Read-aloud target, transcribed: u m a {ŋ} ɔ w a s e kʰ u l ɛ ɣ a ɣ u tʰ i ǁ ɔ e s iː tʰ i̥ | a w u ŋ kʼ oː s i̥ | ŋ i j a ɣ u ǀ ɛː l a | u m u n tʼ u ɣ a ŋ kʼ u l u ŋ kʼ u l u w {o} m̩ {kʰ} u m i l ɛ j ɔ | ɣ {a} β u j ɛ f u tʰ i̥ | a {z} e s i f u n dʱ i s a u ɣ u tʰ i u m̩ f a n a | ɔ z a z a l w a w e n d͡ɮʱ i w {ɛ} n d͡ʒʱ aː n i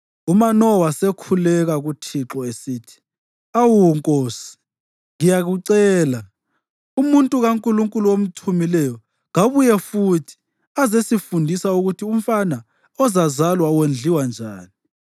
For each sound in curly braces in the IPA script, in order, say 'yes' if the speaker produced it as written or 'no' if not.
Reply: no, yes, no, yes, yes, no

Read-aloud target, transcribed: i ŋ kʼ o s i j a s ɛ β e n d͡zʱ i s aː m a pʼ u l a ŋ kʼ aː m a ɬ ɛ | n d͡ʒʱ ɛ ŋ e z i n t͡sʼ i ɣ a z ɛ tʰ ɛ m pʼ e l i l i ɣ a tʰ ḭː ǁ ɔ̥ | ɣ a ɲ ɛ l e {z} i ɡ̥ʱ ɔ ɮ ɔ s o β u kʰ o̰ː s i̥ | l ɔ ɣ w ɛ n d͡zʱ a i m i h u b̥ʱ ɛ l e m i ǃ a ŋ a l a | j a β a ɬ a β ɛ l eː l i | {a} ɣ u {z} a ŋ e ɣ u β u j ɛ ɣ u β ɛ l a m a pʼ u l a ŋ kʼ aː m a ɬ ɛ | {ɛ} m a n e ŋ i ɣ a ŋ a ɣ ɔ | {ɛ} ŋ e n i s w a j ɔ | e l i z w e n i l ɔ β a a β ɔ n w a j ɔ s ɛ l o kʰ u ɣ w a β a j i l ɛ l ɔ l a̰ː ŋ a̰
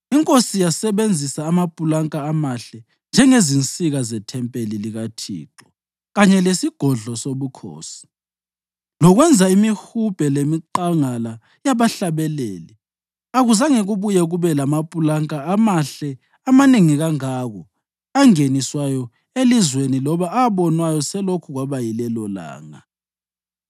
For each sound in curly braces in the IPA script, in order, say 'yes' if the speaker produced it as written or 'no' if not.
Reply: no, yes, yes, no, no

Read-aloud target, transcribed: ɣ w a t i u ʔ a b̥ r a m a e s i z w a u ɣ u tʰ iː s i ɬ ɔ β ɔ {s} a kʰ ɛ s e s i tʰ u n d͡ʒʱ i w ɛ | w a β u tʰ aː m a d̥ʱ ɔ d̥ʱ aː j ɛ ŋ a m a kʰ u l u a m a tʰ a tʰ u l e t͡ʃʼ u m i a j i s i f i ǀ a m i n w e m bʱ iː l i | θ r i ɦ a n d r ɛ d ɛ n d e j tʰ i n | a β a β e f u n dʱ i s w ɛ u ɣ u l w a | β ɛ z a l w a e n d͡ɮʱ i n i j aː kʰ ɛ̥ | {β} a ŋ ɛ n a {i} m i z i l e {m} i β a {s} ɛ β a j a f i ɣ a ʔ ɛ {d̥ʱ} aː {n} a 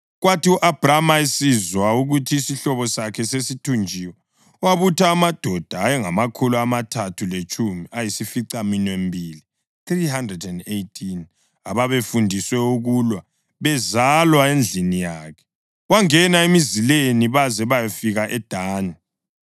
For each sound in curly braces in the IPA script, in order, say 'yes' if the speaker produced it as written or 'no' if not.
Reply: yes, no, no, no, no, yes, yes

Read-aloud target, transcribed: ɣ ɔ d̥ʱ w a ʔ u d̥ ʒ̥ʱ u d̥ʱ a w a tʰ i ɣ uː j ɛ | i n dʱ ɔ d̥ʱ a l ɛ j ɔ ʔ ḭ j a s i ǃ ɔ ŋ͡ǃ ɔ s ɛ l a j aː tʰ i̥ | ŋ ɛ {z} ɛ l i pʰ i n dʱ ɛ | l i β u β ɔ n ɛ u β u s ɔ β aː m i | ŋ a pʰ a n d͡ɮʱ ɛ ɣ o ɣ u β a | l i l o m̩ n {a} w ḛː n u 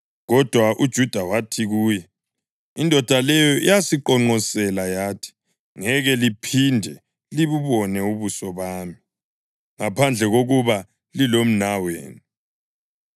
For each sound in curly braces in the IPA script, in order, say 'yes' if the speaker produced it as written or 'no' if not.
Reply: no, yes

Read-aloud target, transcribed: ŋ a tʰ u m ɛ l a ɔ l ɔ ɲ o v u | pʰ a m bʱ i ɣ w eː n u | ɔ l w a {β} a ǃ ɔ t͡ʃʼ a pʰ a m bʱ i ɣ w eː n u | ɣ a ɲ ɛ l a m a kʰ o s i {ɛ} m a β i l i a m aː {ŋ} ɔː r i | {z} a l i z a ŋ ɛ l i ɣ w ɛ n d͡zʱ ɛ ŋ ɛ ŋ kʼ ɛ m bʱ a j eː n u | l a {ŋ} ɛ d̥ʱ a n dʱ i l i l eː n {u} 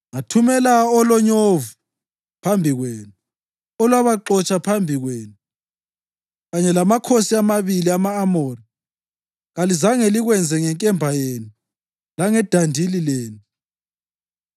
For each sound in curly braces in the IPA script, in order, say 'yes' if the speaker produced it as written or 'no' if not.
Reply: yes, no, no, no, yes, yes

